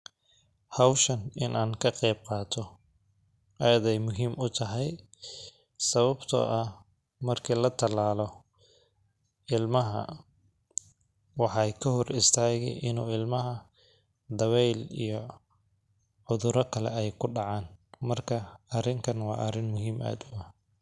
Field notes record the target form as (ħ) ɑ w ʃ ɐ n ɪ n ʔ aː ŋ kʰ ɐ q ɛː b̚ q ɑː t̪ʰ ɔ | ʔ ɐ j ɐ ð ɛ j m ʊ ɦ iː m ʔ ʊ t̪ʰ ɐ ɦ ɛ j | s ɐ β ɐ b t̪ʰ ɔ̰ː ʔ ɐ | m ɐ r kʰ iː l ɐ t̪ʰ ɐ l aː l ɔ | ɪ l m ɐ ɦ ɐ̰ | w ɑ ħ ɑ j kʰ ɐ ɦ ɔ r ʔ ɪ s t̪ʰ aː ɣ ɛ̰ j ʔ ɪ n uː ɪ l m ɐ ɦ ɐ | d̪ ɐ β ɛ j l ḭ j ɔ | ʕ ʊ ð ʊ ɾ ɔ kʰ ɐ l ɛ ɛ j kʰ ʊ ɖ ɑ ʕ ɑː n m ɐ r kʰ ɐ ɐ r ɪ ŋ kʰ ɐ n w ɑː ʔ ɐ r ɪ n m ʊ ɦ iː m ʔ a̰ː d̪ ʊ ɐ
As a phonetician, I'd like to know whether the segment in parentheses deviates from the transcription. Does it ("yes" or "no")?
yes